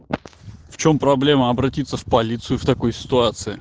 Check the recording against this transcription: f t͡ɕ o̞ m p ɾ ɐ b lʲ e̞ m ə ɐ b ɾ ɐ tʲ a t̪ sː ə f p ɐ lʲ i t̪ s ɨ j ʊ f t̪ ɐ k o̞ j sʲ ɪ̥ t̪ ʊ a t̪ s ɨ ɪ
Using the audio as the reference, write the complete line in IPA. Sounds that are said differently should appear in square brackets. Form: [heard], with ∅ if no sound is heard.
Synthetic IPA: f t͡ɕ o̞ m p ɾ ɐ b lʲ e̞ m ə ɐ b ɾ ɐ tʲ [i] t̪ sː ə f p ɐ lʲ i t̪ s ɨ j ʊ f t̪ ɐ k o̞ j sʲ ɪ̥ t̪ ʊ a t̪ s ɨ ɪ